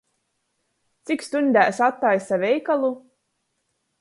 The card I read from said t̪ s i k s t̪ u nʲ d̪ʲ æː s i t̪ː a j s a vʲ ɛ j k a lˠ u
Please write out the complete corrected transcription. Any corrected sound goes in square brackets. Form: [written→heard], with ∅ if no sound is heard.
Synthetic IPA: t̪ s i k s t̪ u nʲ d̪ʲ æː s [i→a] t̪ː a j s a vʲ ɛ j k a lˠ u